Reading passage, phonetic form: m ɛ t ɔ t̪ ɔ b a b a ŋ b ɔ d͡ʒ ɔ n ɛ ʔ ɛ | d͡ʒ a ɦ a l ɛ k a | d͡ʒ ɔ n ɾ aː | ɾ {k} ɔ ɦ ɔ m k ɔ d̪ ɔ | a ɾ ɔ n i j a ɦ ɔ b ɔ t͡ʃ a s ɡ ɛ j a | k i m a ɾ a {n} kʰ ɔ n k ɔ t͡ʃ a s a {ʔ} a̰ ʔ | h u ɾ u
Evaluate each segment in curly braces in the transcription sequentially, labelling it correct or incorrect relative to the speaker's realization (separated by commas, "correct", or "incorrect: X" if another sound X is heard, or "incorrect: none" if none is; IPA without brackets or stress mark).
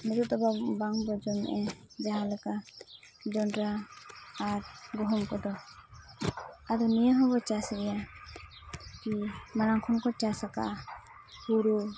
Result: incorrect: ɡ, incorrect: ŋ, incorrect: k